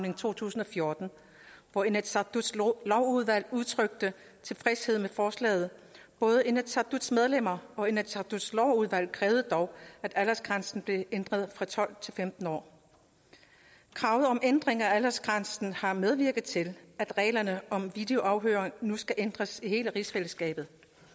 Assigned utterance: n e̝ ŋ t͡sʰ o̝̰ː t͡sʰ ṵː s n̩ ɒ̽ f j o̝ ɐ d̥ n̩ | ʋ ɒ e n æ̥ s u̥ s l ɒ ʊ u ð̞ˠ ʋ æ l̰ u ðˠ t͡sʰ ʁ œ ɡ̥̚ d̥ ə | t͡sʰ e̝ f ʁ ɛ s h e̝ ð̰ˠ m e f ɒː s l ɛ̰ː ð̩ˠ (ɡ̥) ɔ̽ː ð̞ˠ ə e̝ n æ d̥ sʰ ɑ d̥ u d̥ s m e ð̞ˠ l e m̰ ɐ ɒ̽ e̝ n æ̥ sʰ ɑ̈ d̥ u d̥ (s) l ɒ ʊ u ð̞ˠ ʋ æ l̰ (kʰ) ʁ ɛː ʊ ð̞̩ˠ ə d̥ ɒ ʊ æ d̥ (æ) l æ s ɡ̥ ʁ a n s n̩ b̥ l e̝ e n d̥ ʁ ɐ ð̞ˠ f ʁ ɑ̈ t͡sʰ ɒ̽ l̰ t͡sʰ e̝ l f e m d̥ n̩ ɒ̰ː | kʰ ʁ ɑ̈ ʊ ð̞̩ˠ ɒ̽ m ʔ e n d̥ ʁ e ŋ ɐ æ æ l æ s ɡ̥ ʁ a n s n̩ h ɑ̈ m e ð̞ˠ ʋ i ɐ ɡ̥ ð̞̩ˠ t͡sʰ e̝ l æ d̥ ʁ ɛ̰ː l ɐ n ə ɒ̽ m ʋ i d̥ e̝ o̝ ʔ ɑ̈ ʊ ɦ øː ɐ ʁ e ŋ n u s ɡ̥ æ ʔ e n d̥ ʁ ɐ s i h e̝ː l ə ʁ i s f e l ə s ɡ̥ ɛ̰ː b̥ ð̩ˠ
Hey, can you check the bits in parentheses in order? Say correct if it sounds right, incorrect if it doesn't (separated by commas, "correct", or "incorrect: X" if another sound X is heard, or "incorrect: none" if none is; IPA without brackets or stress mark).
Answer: incorrect: b̥, correct, correct, correct